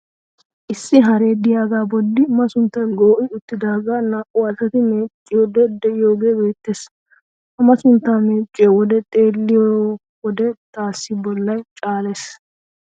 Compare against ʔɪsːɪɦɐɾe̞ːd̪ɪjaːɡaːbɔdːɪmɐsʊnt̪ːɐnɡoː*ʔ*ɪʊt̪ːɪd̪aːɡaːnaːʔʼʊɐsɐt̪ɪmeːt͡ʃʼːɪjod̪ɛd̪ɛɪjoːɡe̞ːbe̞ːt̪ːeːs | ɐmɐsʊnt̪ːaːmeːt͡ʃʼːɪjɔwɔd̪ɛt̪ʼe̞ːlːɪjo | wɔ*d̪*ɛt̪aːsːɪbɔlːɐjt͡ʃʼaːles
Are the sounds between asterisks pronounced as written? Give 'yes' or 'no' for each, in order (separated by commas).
yes, yes